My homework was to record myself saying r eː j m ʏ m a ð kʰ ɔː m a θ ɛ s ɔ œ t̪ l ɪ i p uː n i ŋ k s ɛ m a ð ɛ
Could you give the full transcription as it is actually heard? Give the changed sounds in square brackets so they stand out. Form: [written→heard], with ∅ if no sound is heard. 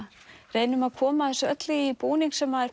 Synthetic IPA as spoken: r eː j [m→n] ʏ m a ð kʰ ɔː m a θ ɛ s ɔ œ t̪ l ɪ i p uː n i ŋ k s ɛ m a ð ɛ